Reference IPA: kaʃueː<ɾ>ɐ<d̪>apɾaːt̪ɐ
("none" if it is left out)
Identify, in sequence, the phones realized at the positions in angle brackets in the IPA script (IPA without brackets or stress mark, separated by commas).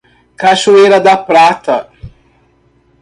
ɾ, d̪